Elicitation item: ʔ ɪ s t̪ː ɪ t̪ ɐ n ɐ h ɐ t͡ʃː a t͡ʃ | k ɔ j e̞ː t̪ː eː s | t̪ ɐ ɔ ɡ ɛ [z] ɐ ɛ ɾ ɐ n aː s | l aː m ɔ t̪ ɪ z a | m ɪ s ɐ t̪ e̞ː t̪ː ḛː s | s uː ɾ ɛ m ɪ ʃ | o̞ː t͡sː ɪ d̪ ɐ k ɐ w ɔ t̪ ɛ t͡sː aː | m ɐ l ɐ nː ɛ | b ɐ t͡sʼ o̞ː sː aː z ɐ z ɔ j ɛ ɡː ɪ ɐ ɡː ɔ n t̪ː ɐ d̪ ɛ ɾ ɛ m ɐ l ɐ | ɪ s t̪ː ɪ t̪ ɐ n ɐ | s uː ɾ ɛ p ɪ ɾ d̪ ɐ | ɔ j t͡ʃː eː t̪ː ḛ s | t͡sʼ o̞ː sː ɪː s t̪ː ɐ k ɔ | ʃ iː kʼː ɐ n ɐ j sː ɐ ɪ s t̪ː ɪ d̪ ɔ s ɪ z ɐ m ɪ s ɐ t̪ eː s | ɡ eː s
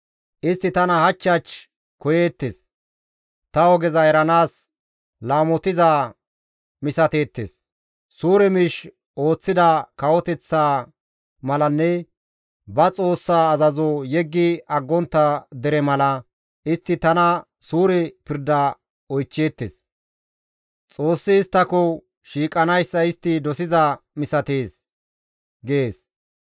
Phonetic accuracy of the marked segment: correct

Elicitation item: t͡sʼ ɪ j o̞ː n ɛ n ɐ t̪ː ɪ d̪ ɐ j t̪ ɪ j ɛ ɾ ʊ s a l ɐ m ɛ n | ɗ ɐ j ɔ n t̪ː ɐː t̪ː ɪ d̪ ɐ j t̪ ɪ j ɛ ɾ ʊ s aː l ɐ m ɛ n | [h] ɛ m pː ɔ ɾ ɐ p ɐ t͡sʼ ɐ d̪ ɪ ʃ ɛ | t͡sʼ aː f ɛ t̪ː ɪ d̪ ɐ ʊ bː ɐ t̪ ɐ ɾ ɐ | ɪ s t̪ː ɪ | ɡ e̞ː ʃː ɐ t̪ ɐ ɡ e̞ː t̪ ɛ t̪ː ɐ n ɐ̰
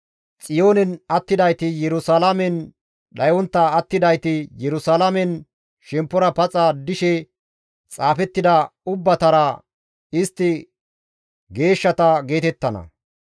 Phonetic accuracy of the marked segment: incorrect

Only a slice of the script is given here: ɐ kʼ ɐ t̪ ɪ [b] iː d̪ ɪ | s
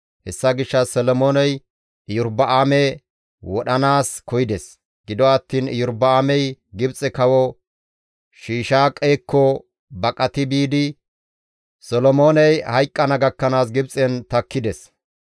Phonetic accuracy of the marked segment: correct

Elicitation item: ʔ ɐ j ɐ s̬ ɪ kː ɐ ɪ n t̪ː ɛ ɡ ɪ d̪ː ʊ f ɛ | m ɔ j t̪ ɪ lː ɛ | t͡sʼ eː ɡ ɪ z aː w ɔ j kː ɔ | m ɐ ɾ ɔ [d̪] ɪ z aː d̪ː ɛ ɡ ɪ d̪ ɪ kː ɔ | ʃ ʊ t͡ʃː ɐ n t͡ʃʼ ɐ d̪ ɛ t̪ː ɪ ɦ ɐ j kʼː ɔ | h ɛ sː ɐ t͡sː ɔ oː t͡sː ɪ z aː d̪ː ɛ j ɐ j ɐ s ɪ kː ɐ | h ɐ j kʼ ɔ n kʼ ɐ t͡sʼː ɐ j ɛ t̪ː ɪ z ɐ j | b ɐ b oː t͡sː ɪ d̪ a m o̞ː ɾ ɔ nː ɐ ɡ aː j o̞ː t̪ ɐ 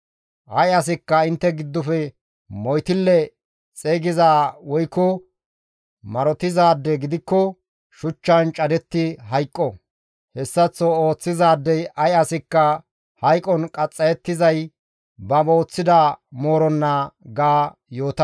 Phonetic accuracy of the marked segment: incorrect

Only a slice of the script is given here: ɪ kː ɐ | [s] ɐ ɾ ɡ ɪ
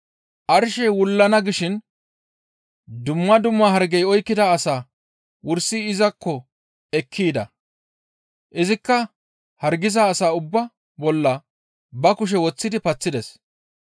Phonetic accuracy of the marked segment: incorrect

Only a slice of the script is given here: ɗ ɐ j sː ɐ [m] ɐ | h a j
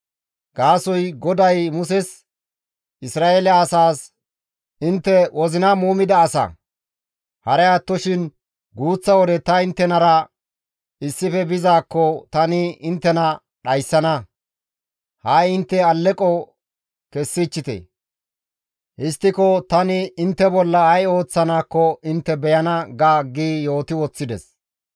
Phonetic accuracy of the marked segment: incorrect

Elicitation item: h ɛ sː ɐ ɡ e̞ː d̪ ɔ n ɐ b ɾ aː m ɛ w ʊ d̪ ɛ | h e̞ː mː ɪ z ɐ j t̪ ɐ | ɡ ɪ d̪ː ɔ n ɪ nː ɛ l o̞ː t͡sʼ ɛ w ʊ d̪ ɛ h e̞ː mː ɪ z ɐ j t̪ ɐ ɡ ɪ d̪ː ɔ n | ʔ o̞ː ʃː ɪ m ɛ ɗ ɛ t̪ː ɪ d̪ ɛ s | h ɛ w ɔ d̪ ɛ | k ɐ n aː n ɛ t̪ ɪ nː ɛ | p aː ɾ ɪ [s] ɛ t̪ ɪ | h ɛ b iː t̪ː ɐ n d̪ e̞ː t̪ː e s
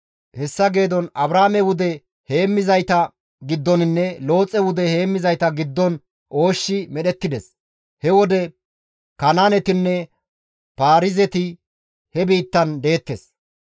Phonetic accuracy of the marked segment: incorrect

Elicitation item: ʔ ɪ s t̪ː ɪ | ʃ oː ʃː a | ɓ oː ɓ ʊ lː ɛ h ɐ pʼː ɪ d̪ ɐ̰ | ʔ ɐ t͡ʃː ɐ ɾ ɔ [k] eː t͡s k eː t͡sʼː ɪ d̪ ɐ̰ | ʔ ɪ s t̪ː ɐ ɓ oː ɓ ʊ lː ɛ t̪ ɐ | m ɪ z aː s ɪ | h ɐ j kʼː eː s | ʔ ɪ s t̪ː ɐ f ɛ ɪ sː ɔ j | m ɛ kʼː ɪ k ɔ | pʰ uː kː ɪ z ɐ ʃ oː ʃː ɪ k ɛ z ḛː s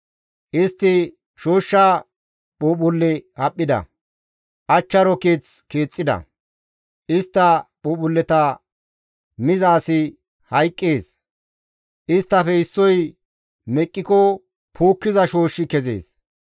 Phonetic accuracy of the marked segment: correct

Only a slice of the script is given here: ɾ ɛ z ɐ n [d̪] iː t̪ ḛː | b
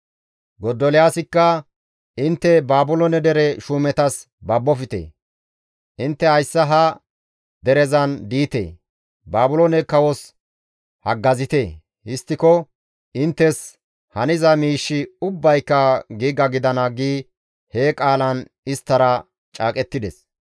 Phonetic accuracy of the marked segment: correct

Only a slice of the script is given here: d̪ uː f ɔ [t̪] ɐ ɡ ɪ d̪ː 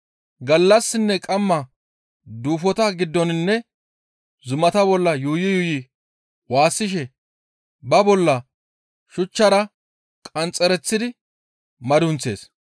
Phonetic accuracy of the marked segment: correct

